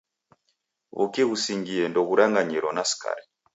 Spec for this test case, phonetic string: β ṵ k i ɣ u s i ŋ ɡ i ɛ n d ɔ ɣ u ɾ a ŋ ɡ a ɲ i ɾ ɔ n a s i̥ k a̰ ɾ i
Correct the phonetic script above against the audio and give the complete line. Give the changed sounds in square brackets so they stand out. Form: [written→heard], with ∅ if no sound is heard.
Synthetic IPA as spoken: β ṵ k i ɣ u s i ŋ ɡ i ɛ n d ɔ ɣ u ɾ a ŋ ɡ a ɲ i ɾ ɔ n a s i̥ k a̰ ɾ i